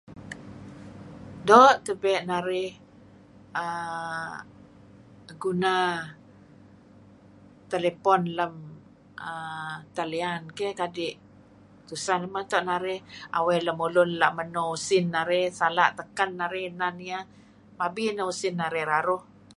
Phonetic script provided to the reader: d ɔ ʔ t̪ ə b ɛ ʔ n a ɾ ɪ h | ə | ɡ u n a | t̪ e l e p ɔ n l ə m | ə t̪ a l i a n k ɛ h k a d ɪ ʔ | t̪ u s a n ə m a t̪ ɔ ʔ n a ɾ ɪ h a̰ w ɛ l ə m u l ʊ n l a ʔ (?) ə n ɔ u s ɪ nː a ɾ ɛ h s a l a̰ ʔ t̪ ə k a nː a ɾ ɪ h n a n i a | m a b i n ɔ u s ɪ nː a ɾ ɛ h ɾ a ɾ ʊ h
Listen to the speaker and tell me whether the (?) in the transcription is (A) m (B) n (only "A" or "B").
A